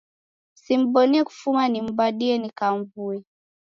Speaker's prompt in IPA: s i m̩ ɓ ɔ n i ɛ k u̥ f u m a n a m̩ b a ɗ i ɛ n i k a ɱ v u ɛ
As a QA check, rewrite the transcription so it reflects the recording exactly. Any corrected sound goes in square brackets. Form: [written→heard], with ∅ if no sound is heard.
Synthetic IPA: s i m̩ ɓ ɔ n i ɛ k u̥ f u m a n [a→i] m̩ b a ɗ i ɛ n i k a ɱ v u ɛ

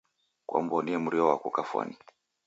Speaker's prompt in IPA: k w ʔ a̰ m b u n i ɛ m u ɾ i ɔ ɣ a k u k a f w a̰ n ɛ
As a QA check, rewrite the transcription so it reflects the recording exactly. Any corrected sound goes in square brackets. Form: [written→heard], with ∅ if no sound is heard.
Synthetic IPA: k w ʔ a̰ m b [u→ɔ] n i ɛ m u ɾ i ɔ [ɣ→w] a k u k a f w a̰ n [ɛ→i]

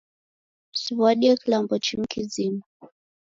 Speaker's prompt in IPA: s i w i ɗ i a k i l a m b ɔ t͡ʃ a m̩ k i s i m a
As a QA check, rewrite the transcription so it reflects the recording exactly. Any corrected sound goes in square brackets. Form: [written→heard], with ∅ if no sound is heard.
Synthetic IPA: s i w [i→a] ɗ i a k i l a m b ɔ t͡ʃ [a→i] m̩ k i [s→z] i m a

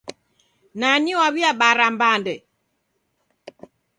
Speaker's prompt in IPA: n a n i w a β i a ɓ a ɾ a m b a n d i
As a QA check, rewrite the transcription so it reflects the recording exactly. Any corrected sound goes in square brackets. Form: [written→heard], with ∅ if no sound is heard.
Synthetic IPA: n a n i w a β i a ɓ a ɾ a m b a n d [i→ɛ]

